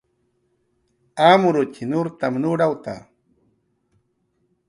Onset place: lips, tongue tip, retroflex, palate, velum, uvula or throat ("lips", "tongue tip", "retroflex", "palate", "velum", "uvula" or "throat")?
lips